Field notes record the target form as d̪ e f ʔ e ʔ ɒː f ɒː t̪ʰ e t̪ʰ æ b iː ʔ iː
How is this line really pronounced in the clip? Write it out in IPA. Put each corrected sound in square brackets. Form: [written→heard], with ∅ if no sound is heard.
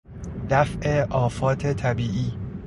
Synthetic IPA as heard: d̪ [e→æ] f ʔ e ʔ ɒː f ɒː t̪ʰ e t̪ʰ æ b iː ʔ iː